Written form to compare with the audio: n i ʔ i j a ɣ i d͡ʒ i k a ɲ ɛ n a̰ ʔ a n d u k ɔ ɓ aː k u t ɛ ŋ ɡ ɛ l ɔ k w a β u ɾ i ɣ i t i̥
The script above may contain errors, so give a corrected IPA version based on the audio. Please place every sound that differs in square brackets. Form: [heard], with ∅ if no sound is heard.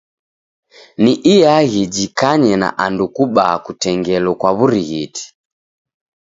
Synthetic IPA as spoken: n i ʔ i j a ɣ i d͡ʒ i k a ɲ ɛ n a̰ ʔ a n d u k [u] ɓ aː k u t ɛ ŋ ɡ ɛ l ɔ k w a β u ɾ i ɣ i t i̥